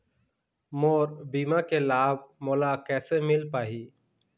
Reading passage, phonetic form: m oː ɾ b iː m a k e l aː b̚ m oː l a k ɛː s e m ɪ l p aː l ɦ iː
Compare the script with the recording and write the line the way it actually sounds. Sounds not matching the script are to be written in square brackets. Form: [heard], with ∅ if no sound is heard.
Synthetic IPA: m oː ɾ b iː m a k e l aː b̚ m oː l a k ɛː s e m ɪ l p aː [∅] ɦ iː